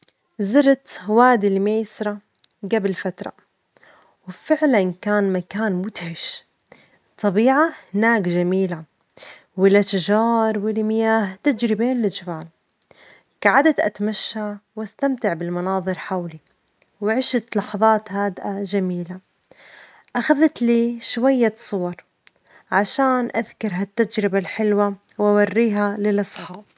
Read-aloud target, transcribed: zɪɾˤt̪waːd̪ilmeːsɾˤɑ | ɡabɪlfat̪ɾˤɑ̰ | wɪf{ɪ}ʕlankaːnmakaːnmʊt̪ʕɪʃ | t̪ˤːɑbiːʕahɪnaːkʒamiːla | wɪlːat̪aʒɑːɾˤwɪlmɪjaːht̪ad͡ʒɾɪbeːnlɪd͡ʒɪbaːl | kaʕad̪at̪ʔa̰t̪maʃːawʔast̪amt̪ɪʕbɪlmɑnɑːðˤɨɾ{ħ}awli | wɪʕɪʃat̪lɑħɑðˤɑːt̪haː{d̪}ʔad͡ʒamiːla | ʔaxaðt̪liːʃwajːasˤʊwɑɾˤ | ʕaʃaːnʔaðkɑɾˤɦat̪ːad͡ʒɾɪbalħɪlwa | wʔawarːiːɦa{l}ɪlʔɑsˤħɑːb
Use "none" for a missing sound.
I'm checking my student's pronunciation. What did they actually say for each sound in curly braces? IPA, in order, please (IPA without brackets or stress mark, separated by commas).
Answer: ɪ, ħ, d̪, l